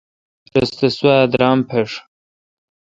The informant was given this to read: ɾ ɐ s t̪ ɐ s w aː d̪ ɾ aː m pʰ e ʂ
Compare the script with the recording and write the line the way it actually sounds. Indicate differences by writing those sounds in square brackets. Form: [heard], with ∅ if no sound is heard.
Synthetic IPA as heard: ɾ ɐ s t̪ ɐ s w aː d̪ ɾ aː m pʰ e ʂ

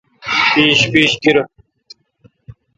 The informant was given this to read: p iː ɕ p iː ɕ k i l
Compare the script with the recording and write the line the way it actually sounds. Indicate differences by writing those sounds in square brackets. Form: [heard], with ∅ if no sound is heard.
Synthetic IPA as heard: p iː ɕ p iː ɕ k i [ɾ]

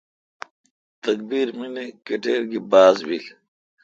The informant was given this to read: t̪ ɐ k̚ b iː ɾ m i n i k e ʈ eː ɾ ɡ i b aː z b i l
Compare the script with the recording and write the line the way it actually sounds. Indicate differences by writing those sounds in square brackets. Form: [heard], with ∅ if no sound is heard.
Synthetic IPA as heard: t̪ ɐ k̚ b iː ɾ m i n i k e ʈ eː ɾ ɡ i b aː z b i l

